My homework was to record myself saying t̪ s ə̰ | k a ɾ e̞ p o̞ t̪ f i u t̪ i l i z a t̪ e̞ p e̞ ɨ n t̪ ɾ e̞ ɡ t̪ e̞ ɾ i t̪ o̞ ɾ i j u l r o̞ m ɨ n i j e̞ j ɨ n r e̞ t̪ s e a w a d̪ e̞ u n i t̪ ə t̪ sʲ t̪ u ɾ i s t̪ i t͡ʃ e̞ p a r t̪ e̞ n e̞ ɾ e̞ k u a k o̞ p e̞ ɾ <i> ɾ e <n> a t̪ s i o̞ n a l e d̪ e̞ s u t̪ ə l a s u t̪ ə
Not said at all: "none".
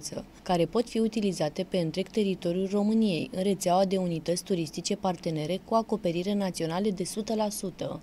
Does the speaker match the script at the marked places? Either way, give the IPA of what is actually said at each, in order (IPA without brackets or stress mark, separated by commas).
i, n